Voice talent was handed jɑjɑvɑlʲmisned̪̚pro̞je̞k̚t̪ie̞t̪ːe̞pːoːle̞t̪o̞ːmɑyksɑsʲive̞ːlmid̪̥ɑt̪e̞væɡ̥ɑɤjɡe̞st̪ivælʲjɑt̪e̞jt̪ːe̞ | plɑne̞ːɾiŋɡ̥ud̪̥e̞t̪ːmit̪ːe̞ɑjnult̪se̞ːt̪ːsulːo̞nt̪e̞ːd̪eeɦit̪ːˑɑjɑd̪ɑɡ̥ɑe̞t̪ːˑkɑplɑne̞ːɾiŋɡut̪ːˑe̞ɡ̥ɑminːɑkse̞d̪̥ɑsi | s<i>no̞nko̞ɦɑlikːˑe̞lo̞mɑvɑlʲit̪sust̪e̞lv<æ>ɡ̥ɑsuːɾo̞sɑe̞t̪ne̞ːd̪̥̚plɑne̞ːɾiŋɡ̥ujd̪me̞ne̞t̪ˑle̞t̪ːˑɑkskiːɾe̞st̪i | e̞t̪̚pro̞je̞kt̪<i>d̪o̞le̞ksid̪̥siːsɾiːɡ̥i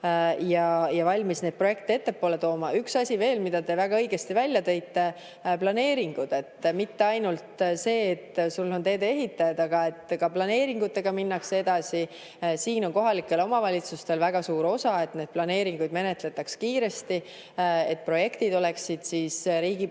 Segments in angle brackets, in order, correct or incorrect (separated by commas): incorrect, correct, correct